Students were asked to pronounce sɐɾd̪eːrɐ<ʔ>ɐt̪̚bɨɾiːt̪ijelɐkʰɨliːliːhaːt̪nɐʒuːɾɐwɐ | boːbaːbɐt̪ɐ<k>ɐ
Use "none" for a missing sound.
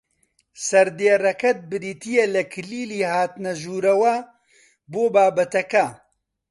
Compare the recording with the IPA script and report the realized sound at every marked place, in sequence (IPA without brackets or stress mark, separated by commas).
k, k